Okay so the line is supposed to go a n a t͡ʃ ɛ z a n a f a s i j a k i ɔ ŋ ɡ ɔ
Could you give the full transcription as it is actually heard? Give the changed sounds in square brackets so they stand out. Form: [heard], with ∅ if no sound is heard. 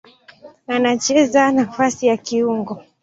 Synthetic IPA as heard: a n a t͡ʃ ɛ z a n a f a s i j a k i [u] ŋ ɡ ɔ